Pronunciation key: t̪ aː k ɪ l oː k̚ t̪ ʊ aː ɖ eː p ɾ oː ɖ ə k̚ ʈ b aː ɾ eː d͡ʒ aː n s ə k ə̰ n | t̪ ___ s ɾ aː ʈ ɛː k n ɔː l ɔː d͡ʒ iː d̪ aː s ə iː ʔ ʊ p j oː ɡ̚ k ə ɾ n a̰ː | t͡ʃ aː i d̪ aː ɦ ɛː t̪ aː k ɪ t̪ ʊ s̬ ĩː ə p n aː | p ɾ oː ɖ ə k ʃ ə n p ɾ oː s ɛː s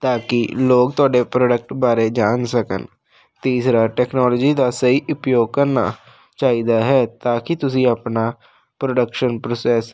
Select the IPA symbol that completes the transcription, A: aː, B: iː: B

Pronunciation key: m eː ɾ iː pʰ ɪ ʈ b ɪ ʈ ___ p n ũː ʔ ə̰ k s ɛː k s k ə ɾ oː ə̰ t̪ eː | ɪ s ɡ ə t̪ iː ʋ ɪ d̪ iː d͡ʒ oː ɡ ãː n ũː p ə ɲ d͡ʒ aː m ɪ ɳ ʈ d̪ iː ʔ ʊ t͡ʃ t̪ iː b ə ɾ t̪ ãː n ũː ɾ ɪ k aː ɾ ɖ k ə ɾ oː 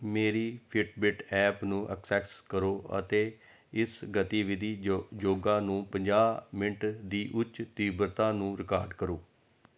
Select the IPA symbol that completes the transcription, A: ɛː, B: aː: A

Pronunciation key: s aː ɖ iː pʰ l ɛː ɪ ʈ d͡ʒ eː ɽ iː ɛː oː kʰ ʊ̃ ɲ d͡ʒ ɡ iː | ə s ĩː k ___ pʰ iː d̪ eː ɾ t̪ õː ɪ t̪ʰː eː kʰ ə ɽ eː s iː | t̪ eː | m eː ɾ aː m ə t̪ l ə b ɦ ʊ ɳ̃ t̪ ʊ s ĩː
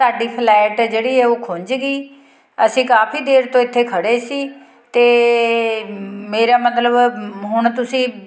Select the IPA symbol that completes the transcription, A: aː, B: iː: A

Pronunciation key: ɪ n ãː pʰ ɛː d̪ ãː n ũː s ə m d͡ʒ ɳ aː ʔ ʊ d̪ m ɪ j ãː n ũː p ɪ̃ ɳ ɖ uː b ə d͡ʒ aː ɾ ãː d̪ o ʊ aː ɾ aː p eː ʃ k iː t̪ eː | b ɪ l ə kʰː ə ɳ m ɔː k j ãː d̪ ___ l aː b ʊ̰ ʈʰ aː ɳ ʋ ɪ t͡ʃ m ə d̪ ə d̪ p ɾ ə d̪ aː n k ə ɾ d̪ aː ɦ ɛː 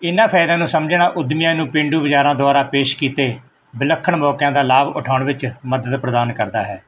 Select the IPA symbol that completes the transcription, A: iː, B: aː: B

